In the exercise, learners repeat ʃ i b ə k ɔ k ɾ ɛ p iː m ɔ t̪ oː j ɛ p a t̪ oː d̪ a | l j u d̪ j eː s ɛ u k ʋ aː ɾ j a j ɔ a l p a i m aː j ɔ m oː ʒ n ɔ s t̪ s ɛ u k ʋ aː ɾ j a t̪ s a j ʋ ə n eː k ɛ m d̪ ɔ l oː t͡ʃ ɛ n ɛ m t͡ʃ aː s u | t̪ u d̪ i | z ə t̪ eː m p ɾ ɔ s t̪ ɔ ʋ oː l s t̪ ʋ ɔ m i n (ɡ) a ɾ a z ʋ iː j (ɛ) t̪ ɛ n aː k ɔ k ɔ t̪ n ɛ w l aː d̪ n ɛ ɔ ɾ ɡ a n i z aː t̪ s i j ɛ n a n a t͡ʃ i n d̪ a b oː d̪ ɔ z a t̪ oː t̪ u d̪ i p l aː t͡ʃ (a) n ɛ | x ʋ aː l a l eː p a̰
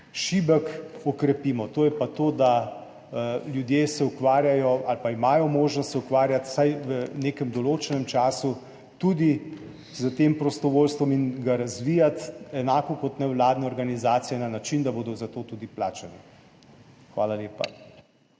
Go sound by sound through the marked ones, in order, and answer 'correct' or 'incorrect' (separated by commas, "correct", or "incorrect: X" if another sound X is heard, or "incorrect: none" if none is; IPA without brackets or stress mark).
correct, incorrect: a, incorrect: ɛ